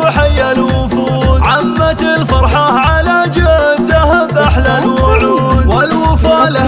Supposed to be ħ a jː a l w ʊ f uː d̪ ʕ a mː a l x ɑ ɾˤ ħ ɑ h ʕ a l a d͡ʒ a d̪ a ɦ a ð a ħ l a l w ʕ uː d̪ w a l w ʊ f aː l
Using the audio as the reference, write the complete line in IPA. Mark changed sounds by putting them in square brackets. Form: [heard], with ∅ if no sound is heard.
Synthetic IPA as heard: ħ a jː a l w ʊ f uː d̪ ʕ a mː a l [f] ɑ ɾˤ ħ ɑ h ʕ a l a d͡ʒ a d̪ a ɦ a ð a ħ l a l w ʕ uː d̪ w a l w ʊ f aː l